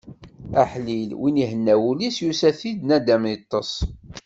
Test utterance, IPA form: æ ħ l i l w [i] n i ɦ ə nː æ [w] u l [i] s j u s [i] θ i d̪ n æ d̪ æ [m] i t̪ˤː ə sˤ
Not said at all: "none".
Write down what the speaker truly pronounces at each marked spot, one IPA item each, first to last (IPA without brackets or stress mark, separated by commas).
i, w, i, æ, m